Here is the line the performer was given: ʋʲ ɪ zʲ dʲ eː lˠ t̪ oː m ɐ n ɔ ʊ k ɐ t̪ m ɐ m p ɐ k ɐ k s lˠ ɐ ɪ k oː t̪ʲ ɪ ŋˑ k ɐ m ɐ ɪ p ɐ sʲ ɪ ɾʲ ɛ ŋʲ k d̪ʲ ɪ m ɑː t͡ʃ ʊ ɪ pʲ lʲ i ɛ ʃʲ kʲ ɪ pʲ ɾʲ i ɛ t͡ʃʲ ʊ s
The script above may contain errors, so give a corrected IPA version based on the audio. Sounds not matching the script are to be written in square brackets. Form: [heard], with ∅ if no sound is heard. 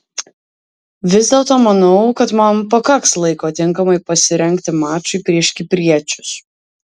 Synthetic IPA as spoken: ʋʲ ɪ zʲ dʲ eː lˠ t̪ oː m ɐ n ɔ ʊ k ɐ t̪ m ɐ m p ɐ k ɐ k s lˠ ɐ ɪ k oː t̪ʲ ɪ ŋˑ k ɐ m ɐ ɪ p ɐ sʲ ɪ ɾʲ ɛ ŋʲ k [t̪ʲ] ɪ m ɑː t͡ʃ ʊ ɪ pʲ [ɾʲ] i ɛ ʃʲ kʲ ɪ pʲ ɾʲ i ɛ t͡ʃʲ ʊ s